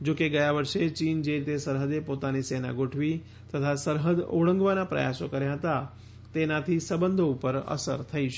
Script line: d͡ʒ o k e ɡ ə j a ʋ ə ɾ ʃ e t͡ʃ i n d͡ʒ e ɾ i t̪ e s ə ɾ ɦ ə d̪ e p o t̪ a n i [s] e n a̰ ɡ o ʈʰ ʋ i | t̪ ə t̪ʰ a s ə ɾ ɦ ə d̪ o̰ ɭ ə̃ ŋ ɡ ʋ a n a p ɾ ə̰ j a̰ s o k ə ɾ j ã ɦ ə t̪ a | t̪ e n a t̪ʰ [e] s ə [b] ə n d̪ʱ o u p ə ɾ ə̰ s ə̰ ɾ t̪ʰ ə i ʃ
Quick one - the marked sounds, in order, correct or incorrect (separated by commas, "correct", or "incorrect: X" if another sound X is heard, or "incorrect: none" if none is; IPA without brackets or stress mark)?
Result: correct, incorrect: i, correct